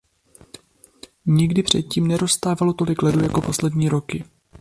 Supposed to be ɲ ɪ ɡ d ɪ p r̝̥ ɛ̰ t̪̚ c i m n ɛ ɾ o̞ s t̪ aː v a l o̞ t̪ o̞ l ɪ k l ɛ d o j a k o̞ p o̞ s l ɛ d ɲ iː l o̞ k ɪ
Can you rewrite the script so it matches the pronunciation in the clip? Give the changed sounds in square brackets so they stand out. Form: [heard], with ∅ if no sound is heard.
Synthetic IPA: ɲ ɪ ɡ d ɪ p r̝̥ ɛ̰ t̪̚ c [iː] m n ɛ ɾ o̞ s t̪ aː v a l o̞ t̪ o̞ l ɪ k l ɛ d [u] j a k o̞ p o̞ s l ɛ d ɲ iː [ɾ] o̞ k ɪ